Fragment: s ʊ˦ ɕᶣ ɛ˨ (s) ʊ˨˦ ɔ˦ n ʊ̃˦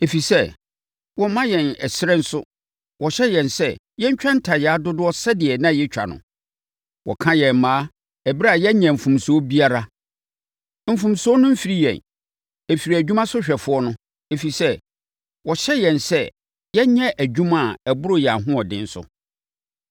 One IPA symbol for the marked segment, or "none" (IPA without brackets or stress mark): f